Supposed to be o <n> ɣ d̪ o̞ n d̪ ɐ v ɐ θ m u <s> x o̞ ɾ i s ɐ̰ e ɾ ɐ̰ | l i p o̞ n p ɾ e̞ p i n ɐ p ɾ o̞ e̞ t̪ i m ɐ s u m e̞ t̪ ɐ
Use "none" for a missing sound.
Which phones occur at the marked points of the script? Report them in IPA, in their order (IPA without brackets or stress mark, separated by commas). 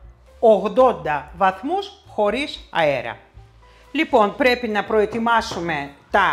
none, s